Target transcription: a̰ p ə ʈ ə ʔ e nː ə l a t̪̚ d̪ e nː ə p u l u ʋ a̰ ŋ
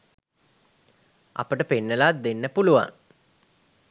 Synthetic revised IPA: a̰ p ə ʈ ə p e nː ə l a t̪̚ d̪ e nː ə p u l u ʋ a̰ ŋ